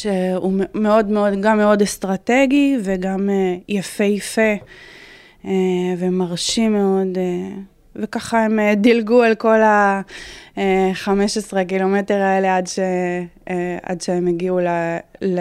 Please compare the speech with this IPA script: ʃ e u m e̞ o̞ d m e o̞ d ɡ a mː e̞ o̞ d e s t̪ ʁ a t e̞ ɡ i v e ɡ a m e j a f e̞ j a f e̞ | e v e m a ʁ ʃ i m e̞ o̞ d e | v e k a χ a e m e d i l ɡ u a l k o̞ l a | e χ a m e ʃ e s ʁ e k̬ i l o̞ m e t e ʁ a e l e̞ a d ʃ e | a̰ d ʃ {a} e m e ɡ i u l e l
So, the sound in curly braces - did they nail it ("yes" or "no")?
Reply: no